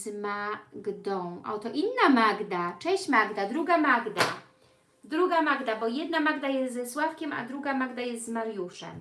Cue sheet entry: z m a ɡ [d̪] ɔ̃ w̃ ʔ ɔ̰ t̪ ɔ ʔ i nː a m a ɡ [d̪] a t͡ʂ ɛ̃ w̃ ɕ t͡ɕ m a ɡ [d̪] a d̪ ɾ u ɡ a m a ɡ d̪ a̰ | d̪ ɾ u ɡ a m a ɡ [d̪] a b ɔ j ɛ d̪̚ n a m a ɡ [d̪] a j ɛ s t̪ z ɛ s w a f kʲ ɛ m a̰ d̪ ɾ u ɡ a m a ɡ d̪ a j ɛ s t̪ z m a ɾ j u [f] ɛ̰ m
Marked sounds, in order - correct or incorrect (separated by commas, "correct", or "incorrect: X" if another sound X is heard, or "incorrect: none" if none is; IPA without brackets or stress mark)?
correct, correct, correct, correct, correct, incorrect: ʂ